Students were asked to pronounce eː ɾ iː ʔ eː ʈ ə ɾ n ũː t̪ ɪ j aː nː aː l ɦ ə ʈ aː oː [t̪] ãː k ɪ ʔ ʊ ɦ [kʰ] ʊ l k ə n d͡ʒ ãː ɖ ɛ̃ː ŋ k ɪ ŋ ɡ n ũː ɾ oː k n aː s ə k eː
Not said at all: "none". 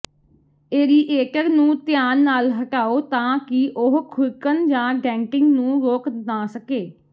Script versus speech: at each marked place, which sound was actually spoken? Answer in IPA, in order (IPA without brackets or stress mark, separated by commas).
t̪, kʰ